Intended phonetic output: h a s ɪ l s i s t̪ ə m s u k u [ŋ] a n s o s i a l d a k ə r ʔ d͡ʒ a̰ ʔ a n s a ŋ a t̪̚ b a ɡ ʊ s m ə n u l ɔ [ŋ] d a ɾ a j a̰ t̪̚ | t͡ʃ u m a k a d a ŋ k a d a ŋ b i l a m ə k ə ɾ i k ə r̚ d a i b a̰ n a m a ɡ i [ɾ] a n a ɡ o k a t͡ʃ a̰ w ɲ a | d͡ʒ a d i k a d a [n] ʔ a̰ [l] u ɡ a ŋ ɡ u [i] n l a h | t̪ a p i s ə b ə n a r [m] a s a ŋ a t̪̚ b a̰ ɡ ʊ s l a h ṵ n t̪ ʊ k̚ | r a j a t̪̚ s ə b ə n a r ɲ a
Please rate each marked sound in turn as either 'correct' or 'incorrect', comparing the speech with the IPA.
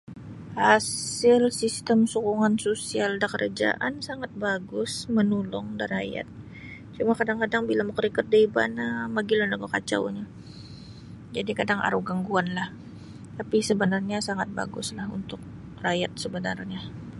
correct, correct, incorrect, incorrect, incorrect, incorrect, incorrect

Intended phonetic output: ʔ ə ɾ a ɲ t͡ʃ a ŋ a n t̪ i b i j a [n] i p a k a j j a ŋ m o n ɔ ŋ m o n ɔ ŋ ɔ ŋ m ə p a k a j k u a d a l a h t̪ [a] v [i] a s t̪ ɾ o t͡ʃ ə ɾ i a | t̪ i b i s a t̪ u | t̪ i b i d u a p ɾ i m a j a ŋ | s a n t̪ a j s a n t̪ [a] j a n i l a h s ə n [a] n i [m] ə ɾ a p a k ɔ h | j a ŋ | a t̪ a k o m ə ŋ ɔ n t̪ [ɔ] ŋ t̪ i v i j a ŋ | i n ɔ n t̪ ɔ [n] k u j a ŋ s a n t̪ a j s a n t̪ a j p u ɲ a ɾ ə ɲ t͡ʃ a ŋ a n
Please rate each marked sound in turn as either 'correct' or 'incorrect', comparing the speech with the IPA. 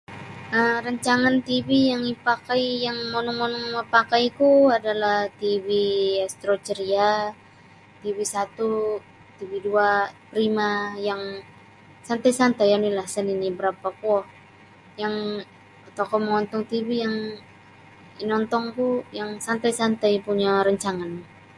incorrect, incorrect, correct, correct, incorrect, incorrect, correct, incorrect

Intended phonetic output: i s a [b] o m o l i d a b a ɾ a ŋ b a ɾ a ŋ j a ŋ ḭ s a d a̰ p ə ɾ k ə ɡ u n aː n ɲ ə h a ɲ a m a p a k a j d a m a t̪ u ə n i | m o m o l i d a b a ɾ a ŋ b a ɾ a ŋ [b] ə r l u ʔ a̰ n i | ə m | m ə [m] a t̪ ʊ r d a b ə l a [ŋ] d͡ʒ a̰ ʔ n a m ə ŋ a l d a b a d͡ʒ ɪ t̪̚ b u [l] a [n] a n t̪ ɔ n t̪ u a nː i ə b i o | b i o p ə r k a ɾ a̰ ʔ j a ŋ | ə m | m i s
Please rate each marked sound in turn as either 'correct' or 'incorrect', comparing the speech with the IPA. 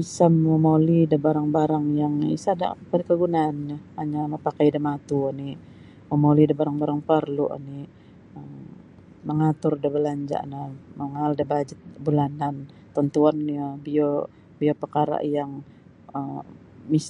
incorrect, incorrect, incorrect, incorrect, correct, correct

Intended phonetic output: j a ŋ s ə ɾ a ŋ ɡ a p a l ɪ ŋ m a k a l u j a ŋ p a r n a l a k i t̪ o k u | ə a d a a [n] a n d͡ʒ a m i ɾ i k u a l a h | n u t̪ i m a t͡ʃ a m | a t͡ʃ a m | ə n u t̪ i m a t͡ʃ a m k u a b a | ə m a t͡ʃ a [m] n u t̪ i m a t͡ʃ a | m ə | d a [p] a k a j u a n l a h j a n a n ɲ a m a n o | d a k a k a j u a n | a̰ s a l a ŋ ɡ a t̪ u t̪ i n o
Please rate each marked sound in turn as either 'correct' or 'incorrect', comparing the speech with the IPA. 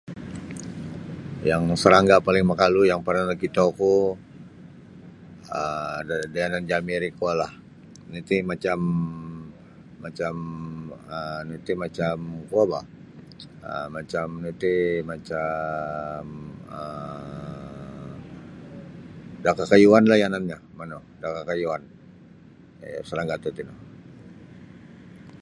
correct, correct, incorrect

